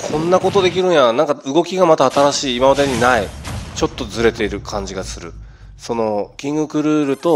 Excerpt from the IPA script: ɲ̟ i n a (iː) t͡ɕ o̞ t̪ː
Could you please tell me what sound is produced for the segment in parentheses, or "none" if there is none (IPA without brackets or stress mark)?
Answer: i